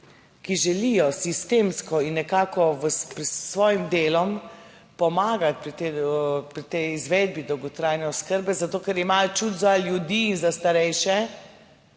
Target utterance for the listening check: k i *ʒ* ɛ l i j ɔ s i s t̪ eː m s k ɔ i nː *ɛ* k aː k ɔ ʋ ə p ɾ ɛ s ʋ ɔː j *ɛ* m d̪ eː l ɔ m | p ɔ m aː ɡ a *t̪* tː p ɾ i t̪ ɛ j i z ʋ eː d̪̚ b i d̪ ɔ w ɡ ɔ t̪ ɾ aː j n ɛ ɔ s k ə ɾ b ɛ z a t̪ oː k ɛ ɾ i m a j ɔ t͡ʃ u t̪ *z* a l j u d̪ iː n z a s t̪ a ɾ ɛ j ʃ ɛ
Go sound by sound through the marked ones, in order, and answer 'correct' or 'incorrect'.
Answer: correct, correct, incorrect: i, correct, correct

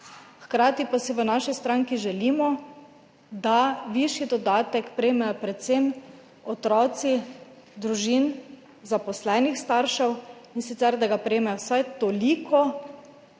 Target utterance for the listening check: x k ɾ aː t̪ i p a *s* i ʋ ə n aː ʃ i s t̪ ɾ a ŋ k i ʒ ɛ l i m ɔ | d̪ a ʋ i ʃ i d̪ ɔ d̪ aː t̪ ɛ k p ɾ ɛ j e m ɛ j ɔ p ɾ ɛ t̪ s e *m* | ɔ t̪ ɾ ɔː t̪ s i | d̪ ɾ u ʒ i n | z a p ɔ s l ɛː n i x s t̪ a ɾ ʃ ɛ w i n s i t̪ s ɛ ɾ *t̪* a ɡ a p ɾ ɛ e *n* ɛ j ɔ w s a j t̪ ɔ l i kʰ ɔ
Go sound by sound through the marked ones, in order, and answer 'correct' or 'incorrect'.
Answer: correct, correct, incorrect: d̪, incorrect: m

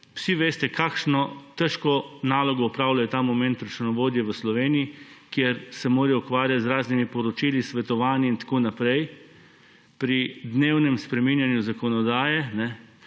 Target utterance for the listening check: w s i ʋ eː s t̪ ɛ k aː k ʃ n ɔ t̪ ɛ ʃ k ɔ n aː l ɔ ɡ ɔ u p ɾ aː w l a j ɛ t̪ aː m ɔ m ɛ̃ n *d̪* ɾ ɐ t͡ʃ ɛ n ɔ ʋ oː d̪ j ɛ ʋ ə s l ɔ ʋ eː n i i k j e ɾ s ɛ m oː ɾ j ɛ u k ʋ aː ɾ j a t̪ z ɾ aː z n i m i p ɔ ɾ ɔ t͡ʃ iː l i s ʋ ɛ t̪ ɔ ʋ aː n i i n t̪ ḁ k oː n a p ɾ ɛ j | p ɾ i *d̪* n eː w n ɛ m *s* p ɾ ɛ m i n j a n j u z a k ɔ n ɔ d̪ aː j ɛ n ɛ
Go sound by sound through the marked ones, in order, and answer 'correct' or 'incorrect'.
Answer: incorrect: t̪, correct, correct

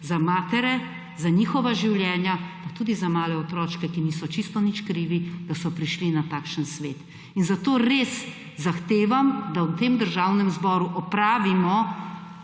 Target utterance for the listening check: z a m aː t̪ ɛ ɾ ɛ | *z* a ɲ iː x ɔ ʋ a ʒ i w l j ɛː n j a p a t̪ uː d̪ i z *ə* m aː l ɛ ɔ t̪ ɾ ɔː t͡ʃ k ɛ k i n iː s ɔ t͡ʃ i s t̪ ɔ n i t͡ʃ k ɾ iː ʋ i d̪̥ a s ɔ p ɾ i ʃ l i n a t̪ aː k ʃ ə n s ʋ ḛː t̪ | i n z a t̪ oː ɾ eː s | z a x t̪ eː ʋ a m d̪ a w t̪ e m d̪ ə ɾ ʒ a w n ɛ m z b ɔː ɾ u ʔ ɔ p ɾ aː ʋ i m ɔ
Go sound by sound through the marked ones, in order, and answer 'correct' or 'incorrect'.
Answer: correct, incorrect: a

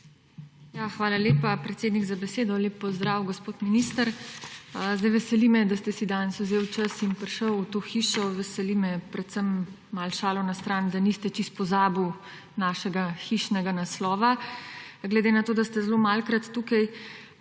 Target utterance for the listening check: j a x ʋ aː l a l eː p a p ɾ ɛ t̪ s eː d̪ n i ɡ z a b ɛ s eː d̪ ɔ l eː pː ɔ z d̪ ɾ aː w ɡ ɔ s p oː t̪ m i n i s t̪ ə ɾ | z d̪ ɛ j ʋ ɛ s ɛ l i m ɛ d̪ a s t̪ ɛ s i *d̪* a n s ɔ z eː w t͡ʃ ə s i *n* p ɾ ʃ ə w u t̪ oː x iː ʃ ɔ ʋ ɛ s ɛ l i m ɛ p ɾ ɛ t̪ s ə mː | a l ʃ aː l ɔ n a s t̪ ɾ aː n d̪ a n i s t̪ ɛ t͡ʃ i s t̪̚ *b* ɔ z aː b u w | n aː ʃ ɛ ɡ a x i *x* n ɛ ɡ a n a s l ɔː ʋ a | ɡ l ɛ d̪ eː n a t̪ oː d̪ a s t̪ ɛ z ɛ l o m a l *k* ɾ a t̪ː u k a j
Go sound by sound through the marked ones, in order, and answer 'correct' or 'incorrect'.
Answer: correct, correct, incorrect: p, incorrect: ʃ, correct

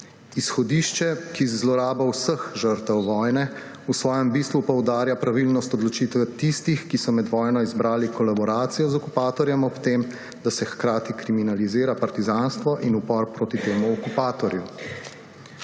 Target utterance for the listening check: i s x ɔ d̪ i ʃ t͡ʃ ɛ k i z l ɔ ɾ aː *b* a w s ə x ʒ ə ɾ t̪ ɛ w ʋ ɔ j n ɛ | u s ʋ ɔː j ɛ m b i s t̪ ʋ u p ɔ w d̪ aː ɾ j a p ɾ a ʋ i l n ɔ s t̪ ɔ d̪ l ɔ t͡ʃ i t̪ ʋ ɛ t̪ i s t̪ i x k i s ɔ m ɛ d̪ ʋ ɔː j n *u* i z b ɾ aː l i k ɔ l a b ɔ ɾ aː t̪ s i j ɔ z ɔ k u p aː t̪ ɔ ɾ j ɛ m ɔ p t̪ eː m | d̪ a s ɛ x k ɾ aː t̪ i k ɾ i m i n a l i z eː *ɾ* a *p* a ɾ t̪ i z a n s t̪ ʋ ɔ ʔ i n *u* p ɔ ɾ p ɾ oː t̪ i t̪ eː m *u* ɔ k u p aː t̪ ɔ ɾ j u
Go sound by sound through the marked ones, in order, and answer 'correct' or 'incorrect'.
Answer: correct, incorrect: ɔ, correct, correct, correct, correct

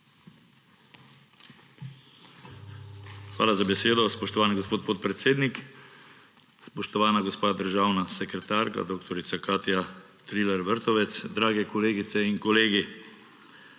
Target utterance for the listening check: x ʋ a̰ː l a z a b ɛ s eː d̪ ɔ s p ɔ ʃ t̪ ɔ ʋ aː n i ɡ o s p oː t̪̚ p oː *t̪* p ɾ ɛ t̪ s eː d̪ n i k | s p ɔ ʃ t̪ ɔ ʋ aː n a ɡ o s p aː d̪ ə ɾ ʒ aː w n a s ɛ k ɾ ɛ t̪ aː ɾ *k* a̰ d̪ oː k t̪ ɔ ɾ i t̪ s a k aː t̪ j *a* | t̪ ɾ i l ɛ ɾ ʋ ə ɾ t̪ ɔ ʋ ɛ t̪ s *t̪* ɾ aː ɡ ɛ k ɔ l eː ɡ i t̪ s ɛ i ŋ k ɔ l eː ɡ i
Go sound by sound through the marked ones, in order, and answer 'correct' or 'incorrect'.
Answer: correct, correct, correct, incorrect: d̪

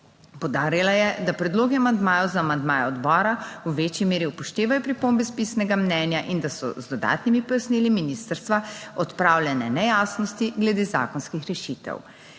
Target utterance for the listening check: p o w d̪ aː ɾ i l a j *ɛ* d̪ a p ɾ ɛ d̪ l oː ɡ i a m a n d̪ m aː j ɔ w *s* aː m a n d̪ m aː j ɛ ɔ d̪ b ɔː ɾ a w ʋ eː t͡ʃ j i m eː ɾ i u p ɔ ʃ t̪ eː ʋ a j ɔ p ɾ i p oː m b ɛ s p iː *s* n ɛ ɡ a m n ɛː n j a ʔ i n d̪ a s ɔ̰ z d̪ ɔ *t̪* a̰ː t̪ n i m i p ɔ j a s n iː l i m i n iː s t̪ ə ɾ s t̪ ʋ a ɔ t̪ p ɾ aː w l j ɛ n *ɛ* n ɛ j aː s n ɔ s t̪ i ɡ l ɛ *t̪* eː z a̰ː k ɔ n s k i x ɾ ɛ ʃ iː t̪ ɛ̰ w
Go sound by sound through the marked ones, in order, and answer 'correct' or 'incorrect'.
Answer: correct, incorrect: z, correct, incorrect: d̪, correct, incorrect: d̪

